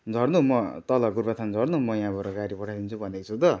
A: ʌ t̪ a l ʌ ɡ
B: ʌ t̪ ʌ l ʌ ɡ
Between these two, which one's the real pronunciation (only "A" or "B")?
B